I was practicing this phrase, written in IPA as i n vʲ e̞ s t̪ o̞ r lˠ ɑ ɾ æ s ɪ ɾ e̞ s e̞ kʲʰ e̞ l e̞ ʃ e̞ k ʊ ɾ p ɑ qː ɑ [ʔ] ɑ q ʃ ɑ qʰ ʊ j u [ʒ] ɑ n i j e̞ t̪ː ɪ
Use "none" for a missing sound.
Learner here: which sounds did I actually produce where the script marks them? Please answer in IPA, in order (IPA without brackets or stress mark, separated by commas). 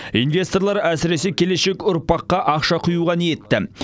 ʔ, ʁ